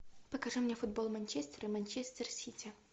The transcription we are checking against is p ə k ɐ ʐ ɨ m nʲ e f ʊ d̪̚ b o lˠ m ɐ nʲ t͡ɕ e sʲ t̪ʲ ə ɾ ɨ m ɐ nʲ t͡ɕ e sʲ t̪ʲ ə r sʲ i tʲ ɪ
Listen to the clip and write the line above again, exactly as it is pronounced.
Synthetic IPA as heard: p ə k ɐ ʐ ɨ m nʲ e f ʊ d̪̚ b o lˠ m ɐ nʲ t͡ɕ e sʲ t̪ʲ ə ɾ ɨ m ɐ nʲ t͡ɕ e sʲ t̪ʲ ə r sʲ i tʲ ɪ